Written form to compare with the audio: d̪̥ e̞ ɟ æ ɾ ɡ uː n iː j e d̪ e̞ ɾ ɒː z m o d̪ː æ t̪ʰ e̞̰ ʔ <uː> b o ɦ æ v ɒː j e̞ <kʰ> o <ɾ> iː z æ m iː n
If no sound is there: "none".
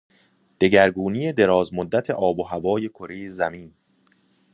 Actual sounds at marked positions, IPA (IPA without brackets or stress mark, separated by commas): ɒː, kʰ, ɾ